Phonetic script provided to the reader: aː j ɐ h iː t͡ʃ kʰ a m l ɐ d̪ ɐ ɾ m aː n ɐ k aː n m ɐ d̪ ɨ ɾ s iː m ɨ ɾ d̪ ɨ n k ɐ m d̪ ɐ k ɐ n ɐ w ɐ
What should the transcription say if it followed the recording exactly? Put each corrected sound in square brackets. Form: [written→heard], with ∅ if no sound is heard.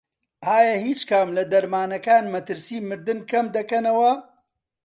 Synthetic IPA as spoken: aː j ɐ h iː t͡ʃ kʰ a m l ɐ d̪ ɐ ɾ m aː n ɐ k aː n m ɐ [d̪→t̪] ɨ ɾ s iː m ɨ ɾ d̪ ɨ n k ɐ m d̪ ɐ k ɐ n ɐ w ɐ

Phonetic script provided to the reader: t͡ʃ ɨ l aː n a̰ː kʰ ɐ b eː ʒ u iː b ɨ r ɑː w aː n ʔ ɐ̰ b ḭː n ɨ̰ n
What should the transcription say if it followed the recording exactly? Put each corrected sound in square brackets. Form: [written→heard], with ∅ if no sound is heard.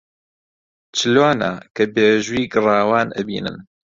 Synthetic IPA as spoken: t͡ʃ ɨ l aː n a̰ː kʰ ɐ b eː ʒ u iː [b→ɡ] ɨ r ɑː w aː n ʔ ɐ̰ b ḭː n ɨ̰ n

